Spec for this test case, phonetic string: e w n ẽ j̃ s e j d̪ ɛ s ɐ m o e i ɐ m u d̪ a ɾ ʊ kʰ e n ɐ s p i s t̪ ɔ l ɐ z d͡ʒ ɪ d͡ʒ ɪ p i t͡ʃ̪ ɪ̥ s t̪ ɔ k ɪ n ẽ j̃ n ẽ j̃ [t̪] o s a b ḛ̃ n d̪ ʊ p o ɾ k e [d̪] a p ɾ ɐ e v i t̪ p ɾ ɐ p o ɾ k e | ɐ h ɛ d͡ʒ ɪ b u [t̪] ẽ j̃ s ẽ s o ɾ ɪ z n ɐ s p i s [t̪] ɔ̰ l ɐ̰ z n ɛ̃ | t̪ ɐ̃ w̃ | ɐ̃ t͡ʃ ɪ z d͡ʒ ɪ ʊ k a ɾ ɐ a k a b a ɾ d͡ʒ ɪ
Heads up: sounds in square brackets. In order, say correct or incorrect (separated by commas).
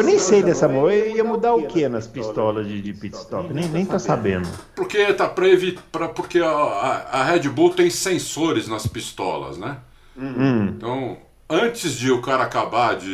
correct, incorrect, correct, correct